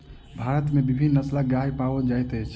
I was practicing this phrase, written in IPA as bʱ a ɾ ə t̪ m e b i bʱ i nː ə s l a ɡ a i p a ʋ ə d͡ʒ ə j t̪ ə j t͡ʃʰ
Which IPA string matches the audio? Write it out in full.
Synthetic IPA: bʱ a ɾ ə t̪ m e b i bʱ i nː ə s l a ɡ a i p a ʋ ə d͡ʒ a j t̪ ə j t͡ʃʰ